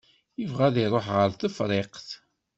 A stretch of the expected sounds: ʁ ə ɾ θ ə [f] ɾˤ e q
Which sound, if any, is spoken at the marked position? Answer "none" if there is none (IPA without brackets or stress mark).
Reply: f